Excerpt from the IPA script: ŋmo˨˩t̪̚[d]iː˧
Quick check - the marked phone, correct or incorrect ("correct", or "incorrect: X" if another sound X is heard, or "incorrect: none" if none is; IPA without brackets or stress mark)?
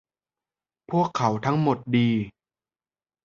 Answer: correct